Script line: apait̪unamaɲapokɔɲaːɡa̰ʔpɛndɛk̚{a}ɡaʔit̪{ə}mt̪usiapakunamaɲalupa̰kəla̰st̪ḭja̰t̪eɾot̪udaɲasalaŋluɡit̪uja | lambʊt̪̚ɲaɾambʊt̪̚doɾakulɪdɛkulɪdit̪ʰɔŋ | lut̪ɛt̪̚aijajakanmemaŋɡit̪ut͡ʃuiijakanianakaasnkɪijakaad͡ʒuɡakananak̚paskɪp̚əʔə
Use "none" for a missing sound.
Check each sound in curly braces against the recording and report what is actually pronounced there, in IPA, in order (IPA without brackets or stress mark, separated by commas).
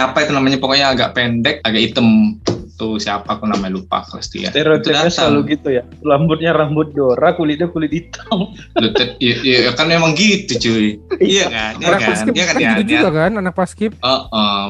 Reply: a, ə